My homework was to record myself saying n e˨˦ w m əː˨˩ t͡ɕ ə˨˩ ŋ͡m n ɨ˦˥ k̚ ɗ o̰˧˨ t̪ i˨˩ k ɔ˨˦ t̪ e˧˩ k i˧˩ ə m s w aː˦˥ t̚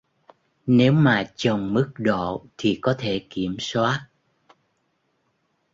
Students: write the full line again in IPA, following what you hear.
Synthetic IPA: n e˨˦ w m aː˨˩ t͡ɕ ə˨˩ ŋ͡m m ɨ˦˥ k̚ ɗ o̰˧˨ t̪ʰ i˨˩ k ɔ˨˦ t̪ʰ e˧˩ k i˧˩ ə m s w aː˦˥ t̚